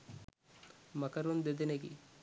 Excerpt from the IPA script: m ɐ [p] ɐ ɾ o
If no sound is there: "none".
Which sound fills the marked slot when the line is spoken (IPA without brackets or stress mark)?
k